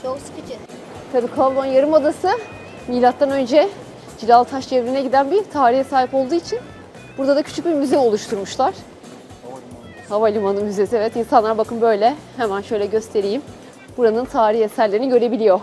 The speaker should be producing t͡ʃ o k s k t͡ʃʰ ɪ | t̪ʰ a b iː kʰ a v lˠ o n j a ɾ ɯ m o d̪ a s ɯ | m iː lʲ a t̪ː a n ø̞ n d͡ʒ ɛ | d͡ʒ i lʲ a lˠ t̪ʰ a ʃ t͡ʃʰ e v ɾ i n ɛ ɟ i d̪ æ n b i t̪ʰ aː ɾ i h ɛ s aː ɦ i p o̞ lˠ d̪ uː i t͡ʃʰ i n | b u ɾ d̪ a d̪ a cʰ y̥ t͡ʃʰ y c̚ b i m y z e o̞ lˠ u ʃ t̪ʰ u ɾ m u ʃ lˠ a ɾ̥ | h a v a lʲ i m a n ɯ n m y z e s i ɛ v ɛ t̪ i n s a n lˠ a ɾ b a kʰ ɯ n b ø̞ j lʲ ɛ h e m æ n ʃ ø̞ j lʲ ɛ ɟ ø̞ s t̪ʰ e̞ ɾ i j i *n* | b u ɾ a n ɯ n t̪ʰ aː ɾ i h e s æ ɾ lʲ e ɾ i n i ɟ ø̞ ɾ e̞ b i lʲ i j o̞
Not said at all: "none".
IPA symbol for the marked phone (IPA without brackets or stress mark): m